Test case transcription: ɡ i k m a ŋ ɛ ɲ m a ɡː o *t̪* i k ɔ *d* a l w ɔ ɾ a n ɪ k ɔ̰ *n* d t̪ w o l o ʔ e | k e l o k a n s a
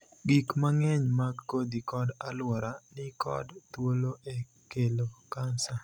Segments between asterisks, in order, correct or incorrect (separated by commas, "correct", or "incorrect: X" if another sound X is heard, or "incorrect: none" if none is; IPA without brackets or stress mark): incorrect: d̪, correct, incorrect: none